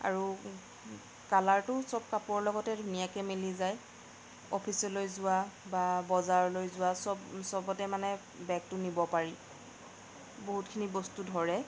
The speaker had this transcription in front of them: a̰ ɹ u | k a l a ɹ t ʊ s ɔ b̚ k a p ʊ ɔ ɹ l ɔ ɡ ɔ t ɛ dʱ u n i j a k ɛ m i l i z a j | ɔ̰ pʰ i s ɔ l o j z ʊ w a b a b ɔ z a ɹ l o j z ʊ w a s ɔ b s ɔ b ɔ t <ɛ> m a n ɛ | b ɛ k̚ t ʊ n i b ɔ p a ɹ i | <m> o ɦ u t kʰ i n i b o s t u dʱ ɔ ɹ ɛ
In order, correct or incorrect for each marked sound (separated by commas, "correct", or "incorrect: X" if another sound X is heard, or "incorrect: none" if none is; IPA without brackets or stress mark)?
correct, incorrect: b